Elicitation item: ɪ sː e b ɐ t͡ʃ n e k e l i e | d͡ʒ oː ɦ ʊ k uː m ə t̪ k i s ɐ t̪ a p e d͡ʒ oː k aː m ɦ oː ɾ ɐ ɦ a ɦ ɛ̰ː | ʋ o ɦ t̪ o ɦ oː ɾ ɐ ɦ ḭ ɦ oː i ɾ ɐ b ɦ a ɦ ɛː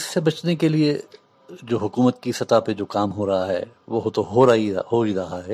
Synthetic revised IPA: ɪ sː e b ɐ t͡ʃ n e k e l i e | d͡ʒ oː ɦ ʊ k uː m ə t̪ k i s ɐ t̪ a p e d͡ʒ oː k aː m ɦ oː ɾ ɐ ɦ a ɦ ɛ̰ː | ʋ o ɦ t̪ o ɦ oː ɾ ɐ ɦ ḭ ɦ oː i ɾ ɐ ɦ a ɦ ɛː